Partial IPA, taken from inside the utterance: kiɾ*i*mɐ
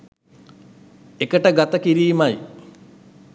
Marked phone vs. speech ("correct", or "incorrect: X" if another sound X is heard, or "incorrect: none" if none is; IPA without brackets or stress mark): incorrect: iː